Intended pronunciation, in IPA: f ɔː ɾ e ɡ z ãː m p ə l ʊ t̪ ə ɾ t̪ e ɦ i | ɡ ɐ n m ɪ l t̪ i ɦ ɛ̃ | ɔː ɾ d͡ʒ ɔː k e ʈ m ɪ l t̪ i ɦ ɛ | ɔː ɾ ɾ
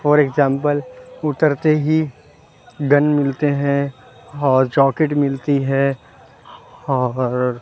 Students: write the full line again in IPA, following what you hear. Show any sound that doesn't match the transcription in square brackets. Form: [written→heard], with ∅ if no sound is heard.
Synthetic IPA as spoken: f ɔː ɾ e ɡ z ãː m p ə l ʊ t̪ ə ɾ t̪ e ɦ i | ɡ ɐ n m ɪ l t̪ [i→e] ɦ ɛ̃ | ɔː ɾ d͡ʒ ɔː k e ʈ m ɪ l t̪ i ɦ ɛ | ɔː ɾ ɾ